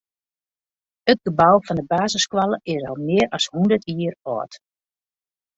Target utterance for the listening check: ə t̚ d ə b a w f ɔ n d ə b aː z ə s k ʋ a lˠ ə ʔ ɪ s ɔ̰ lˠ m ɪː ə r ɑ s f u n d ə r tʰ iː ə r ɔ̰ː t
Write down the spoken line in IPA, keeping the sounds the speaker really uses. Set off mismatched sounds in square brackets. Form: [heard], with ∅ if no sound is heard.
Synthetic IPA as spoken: ə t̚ [ɡ] ə b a w f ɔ n d ə b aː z ə s k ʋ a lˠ ə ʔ ɪ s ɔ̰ lˠ m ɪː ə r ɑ s [h] u n d ə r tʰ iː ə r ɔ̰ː t